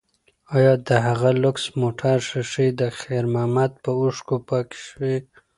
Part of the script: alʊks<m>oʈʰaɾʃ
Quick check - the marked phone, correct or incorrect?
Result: correct